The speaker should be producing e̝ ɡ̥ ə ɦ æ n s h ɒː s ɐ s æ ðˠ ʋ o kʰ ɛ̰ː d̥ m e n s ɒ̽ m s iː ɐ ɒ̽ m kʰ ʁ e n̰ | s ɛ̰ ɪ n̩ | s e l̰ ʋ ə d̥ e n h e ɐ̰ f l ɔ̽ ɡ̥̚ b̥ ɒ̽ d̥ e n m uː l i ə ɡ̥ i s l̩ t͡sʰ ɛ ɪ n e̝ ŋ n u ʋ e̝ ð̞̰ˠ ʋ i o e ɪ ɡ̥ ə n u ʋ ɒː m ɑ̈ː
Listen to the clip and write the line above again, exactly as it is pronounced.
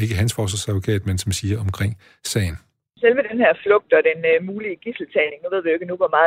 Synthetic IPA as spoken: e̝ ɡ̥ ə ɦ æ n s f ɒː s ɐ s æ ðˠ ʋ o kʰ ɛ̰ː d̥ m e n s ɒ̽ m s iː ɐ ɒ̽ m kʰ ʁ e ŋ̰ | s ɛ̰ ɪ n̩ | s e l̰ ʋ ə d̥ e n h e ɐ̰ f l ɔ̽ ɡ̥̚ d̥ ɒ̽ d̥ e n m uː l i ə ɡ̥ i s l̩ t͡sʰ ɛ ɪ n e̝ ŋ n u ʋ e̝ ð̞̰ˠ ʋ i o e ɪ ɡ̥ ə n u ʋ ɒ m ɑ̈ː